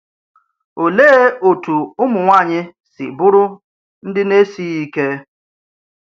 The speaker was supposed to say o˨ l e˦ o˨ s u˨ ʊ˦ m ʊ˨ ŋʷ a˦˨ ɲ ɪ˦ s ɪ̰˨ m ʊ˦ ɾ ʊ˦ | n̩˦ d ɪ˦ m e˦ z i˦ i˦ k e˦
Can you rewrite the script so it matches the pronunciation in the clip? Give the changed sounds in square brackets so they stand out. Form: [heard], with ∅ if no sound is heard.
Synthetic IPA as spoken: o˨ l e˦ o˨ [t] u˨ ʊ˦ m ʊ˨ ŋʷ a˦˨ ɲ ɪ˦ s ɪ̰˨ [b] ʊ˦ ɾ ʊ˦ | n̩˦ d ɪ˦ [n] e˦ [s] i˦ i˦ k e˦